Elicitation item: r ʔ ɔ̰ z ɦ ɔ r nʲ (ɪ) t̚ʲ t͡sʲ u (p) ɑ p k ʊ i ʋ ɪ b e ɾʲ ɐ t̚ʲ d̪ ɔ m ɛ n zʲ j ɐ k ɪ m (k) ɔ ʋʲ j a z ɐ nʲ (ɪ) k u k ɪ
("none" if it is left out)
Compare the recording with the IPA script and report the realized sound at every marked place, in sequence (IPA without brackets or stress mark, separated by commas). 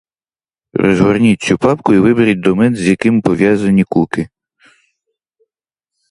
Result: i, p, p, i